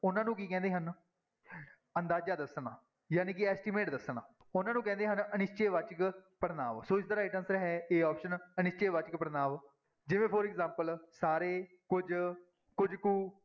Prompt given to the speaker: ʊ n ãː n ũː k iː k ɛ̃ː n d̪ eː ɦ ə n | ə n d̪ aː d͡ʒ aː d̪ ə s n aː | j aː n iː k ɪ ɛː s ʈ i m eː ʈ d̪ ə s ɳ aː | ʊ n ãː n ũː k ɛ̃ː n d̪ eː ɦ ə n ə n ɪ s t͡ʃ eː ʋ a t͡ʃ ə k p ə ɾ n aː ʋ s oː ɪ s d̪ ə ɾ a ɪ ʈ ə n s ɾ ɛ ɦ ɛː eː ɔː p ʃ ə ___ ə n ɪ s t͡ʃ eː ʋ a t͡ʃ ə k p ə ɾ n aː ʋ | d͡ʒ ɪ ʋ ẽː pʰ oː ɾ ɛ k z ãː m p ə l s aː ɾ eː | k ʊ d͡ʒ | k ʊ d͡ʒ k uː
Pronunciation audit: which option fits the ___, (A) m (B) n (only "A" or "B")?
B